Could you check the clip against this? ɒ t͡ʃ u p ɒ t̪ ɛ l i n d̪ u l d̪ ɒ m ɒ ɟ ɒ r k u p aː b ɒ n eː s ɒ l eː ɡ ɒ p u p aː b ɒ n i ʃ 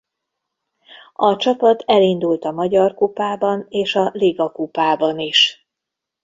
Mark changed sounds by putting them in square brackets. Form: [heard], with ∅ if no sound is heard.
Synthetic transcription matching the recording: ɒ t͡ʃ [ɒ] p ɒ t̪ ɛ l i n d̪ u l [t̪] ɒ m ɒ ɟ ɒ r k u p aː b ɒ n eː [ʃ] ɒ l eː ɡ ɒ [k] u p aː b ɒ n i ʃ